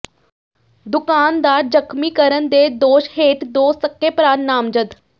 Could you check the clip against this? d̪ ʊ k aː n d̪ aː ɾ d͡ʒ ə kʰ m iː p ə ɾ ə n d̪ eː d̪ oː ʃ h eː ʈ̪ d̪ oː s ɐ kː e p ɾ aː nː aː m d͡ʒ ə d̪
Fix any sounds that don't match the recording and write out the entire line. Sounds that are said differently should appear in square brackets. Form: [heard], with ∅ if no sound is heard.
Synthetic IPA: d̪ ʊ k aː n d̪ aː ɾ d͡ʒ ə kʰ m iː [k] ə ɾ ə n d̪ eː d̪ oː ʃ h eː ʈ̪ d̪ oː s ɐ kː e p ɾ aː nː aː m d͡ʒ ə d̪